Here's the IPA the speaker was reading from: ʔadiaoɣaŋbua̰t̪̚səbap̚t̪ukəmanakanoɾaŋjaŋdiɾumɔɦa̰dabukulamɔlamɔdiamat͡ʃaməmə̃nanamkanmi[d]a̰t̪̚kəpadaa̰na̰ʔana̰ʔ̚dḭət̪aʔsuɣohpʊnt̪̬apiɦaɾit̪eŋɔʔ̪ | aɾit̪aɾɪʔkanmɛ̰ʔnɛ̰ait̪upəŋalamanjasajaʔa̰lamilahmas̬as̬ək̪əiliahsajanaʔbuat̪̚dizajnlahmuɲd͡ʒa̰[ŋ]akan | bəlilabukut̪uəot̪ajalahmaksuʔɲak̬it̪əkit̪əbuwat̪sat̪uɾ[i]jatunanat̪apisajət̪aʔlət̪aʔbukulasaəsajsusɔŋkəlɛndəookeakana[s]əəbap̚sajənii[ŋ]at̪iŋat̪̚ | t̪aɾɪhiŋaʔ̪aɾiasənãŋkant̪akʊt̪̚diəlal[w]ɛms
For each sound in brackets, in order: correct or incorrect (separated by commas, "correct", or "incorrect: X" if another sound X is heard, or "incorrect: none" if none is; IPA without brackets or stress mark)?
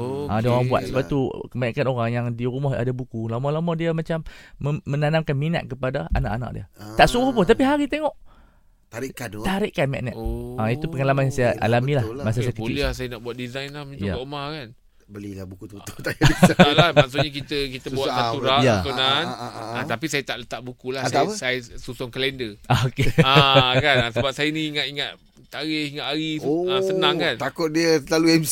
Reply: incorrect: n, incorrect: m, incorrect: a, correct, correct, incorrect: u